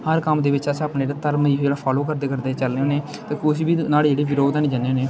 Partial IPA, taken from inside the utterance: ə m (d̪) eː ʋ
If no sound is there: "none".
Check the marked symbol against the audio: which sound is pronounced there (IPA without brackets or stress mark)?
d̪